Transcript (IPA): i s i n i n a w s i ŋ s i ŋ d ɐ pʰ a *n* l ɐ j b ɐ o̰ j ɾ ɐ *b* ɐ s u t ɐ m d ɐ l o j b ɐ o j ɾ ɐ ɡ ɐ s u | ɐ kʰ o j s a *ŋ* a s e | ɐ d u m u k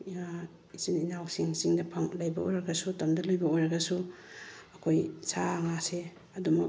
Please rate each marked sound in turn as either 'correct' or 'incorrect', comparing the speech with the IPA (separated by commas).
incorrect, incorrect, correct